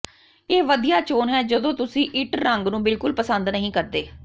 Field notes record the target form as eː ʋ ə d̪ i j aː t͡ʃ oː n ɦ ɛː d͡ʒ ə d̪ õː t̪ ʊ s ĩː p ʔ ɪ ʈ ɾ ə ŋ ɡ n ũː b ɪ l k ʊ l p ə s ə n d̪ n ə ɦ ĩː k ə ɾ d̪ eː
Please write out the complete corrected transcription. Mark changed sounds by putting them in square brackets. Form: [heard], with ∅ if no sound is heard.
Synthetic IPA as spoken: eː ʋ ə d̪ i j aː t͡ʃ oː n ɦ ɛː d͡ʒ ə d̪ õː t̪ ʊ s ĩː [∅] ʔ ɪ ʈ ɾ ə ŋ ɡ n ũː b ɪ l k ʊ l p ə s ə n d̪ n ə ɦ ĩː k ə ɾ d̪ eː